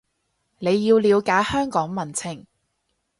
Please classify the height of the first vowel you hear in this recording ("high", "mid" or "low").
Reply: mid